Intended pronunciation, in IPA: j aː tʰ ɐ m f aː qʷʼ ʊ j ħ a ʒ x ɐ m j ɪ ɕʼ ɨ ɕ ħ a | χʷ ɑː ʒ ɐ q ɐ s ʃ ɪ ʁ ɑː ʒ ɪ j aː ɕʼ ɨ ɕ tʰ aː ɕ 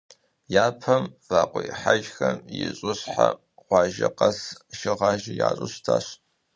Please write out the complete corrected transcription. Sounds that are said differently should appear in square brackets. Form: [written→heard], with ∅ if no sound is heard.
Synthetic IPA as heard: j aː [tʰ→pʰ] ɐ m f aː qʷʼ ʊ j ħ a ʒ x ɐ m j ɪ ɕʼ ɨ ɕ ħ a | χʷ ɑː ʒ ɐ q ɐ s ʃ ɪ ʁ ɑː ʒ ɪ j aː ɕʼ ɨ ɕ tʰ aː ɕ

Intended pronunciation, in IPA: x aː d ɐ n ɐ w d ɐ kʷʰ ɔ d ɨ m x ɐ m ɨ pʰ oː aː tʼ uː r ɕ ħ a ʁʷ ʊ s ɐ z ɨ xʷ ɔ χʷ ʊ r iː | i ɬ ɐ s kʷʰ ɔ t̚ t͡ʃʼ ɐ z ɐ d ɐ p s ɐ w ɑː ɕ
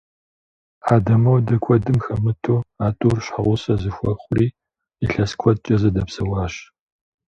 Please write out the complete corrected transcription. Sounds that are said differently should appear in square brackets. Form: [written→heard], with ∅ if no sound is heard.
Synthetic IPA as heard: [x→ħ] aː d ɐ [n→m] ɐ w d ɐ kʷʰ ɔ d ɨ m x ɐ m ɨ [pʰ→tʰ] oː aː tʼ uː r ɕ ħ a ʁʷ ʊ s ɐ z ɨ xʷ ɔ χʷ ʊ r iː | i ɬ ɐ s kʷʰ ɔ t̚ t͡ʃʼ ɐ z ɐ d ɐ p s ɐ w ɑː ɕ

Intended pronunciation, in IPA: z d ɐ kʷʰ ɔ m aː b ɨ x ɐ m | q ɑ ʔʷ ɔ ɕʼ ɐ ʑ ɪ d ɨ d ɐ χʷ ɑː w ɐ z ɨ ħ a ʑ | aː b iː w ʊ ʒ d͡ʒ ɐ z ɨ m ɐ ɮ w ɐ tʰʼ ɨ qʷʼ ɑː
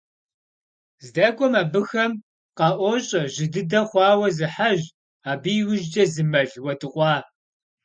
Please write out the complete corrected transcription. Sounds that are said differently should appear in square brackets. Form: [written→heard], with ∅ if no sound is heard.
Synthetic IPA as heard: z d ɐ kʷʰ ɔ m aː b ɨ x ɐ m | q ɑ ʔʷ ɔ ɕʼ ɐ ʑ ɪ d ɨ d ɐ χʷ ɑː w ɐ z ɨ ħ a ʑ | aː b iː w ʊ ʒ d͡ʒ ɐ z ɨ m ɐ ɮ w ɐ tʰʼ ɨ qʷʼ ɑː

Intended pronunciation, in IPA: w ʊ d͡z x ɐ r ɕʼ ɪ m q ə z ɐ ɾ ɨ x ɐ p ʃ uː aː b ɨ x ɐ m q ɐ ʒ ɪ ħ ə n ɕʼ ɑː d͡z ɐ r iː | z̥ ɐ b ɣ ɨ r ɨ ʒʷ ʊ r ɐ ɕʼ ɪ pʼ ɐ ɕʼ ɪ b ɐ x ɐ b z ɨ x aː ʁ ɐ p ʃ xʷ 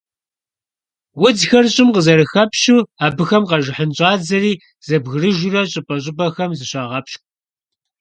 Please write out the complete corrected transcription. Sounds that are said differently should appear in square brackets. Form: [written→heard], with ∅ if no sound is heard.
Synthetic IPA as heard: w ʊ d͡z x ɐ r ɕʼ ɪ m q ə z ɐ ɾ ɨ x ɐ p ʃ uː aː b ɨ x ɐ m q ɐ ʒ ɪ ħ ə n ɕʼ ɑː d͡z ɐ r iː | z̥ ɐ b ɣ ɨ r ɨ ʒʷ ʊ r ɐ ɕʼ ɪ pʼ ɐ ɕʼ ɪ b ɐ x ɐ [b→m] z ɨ [x→ɕ] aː ʁ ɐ p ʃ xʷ

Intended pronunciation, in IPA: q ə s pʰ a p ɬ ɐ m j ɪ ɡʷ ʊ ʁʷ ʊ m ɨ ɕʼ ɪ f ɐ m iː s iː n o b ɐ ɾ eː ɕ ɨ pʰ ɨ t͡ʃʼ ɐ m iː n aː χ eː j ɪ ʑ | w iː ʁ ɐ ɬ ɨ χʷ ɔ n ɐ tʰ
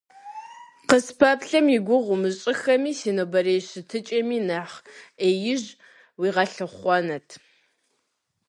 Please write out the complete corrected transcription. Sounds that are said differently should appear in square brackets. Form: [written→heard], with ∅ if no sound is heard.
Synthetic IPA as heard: q ə s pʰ a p ɬ ɐ m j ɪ ɡʷ ʊ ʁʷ ʊ m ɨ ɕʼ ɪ [f→x] ɐ m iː s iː n o b ɐ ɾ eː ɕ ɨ [pʰ→tʰ] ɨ t͡ʃʼ ɐ m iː n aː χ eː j ɪ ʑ | w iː ʁ ɐ ɬ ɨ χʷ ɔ n ɐ tʰ

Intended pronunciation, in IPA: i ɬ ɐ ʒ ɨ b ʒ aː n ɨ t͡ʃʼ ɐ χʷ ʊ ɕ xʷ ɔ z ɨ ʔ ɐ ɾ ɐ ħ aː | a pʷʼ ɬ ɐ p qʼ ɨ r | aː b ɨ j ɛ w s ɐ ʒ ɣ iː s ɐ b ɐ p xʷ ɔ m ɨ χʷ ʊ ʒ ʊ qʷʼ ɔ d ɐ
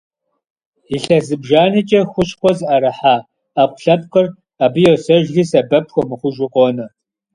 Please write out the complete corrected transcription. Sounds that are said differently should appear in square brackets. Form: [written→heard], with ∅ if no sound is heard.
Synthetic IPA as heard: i ɬ ɐ [ʒ→z] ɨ b ʒ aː n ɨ t͡ʃʼ ɐ [χʷ→xʷ] ʊ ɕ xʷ ɔ z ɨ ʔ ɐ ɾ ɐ ħ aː | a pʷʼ ɬ ɐ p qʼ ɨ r | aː b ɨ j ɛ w s ɐ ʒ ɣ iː s ɐ b ɐ p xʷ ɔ m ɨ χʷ ʊ ʒ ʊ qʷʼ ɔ [d→n] ɐ

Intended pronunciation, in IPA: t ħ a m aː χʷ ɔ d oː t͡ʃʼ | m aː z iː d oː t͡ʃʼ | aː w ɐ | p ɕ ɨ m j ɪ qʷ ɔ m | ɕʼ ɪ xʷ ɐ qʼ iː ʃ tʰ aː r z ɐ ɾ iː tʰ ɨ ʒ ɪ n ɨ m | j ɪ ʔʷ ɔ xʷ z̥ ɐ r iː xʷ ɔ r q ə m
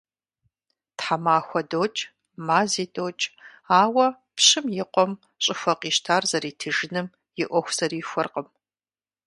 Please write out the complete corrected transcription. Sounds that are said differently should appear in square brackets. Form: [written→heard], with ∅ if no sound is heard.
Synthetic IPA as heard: t ħ a m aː [χʷ→xʷ] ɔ d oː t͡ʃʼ | m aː z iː d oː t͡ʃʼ | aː w ɐ | p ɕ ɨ m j ɪ qʷ ɔ m | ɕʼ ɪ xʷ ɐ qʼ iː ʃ tʰ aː r z ɐ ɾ iː tʰ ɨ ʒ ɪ n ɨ m | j ɪ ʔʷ ɔ xʷ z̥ ɐ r iː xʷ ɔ r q ə m

